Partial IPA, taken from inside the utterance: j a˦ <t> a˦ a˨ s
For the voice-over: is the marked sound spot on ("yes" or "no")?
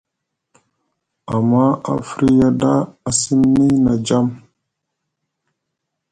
no